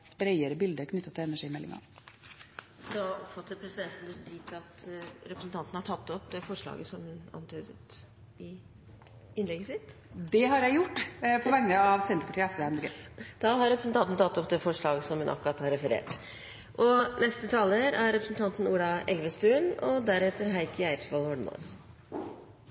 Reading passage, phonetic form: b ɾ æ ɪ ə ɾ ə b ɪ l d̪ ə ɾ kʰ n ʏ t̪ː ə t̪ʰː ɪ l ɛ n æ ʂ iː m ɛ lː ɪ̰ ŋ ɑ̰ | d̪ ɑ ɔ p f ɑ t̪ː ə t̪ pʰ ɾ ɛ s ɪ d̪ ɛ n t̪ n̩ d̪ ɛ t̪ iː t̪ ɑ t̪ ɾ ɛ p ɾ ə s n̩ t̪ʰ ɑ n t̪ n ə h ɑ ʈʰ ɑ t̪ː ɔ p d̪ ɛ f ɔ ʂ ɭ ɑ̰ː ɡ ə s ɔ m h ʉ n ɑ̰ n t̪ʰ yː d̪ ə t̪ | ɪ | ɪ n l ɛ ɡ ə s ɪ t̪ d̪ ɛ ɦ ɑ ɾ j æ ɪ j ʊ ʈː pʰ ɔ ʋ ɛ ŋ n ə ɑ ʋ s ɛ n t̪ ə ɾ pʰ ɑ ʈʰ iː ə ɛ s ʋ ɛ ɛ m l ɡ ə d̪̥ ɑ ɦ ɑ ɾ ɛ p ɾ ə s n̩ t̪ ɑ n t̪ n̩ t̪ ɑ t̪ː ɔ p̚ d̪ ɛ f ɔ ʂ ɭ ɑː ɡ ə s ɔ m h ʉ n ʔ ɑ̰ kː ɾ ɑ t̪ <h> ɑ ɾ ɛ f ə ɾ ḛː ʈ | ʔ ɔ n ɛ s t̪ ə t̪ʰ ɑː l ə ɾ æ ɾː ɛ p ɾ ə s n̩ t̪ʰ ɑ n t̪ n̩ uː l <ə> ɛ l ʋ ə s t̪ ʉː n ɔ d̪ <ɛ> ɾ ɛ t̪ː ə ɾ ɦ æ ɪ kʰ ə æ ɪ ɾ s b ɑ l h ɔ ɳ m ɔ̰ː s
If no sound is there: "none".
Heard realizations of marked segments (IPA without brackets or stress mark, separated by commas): h, ɑ, æ